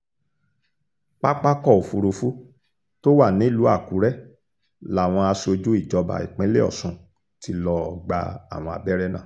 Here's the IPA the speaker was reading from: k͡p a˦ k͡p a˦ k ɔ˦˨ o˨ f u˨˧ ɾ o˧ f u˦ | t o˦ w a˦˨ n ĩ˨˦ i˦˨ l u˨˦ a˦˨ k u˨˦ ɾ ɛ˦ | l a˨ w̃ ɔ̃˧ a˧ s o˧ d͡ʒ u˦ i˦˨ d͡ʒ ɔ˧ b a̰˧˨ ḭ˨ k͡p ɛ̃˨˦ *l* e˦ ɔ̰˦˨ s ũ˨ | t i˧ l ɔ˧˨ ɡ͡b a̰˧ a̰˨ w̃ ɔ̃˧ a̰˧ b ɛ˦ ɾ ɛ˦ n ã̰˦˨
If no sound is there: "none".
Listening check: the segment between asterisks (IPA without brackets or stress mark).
l